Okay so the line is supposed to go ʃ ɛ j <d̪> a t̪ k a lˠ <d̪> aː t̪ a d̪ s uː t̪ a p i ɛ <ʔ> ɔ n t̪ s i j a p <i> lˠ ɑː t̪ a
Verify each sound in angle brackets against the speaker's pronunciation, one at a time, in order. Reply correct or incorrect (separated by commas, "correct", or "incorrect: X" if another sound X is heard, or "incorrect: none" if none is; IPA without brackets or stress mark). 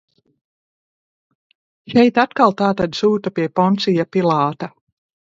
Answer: incorrect: t̪, incorrect: t̪, incorrect: p, correct